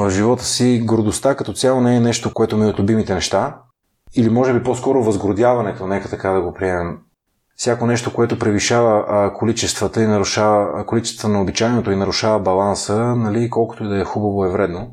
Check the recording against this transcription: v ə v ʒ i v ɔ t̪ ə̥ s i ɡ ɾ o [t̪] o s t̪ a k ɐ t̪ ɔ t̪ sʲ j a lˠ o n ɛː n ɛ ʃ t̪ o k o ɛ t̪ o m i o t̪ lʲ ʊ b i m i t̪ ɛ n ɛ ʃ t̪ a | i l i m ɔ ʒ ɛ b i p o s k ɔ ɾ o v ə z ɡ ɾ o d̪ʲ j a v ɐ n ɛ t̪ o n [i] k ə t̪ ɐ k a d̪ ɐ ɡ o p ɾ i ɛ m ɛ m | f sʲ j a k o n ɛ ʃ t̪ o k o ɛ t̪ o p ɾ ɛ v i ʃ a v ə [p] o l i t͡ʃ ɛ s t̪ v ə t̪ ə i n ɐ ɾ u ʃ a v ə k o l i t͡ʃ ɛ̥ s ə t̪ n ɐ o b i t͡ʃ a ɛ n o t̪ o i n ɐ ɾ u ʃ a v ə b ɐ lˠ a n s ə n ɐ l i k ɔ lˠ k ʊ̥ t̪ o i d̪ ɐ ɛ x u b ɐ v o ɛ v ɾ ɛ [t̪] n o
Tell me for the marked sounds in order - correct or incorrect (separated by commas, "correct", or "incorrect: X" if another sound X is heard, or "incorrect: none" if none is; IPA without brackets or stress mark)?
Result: incorrect: d̪, incorrect: ɛ, incorrect: k, incorrect: d̪